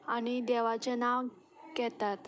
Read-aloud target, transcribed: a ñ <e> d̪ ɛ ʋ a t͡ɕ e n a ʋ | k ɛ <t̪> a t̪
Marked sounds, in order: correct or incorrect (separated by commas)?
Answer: incorrect, correct